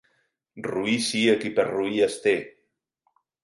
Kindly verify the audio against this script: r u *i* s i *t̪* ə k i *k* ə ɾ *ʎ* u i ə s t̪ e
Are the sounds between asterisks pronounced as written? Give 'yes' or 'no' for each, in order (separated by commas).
yes, no, no, no